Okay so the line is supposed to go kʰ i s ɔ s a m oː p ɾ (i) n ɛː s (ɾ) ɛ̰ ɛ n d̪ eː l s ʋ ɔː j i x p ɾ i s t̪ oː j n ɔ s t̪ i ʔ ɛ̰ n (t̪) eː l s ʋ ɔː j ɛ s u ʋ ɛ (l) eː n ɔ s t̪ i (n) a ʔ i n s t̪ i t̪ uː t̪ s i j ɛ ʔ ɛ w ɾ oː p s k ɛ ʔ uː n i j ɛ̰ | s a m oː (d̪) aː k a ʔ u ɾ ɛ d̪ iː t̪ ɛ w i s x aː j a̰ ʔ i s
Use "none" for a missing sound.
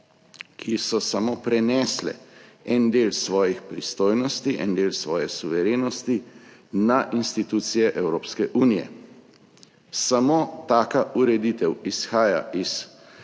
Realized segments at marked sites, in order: ɛ, l, d̪, ɾ, n, t̪

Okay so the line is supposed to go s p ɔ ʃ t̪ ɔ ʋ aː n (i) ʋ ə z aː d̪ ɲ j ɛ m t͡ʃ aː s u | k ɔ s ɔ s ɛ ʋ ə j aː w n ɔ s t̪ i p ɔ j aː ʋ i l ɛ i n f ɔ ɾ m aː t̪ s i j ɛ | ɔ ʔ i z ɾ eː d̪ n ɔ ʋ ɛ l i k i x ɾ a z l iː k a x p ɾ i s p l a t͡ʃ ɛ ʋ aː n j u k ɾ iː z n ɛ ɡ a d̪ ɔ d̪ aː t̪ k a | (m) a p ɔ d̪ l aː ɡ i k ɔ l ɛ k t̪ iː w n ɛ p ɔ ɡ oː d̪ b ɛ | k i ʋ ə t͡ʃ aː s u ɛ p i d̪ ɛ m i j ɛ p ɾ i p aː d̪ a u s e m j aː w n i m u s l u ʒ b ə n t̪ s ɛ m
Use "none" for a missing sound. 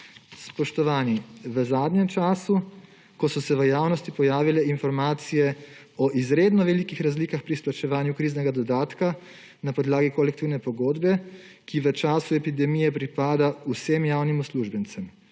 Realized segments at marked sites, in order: i, n

